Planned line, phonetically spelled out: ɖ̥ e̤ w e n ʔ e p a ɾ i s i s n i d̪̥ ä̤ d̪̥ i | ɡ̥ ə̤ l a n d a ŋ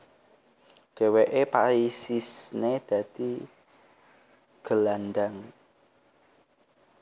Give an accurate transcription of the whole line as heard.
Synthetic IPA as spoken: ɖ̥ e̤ w e ʔ e p a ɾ i s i s n e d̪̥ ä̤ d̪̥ i | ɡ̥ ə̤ l a n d a ŋ